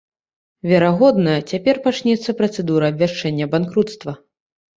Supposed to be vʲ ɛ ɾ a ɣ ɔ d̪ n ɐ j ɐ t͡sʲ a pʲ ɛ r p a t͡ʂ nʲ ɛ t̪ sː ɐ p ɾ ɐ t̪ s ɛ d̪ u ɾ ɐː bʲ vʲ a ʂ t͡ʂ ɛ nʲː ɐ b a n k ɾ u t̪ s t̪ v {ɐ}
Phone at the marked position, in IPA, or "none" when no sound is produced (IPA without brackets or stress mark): ɐ